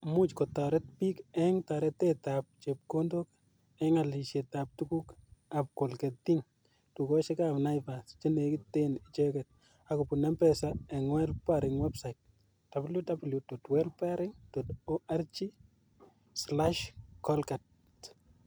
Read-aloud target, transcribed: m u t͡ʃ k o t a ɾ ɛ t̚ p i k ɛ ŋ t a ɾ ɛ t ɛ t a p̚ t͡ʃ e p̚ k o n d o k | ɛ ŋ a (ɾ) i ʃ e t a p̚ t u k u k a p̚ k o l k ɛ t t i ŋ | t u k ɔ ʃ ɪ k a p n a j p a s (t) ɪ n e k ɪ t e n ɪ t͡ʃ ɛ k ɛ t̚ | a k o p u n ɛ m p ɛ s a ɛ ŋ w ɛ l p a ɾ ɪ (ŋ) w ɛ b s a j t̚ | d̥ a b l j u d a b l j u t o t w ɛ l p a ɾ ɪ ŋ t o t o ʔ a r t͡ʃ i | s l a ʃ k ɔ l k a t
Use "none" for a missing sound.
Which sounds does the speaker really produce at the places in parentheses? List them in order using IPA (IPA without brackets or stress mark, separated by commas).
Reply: l, t͡ʃ, ŋ